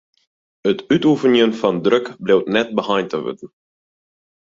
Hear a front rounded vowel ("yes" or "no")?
yes